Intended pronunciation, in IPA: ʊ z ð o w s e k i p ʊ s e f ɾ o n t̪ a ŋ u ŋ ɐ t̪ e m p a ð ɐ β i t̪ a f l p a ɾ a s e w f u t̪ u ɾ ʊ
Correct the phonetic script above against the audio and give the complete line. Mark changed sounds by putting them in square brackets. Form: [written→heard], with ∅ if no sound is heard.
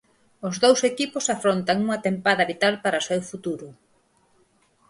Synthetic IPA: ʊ z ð o w s e k i p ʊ s [e→a] f ɾ o n t̪ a ŋ u ŋ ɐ t̪ e m p a ð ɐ β i t̪ a [f→∅] l p a ɾ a s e w f u t̪ u ɾ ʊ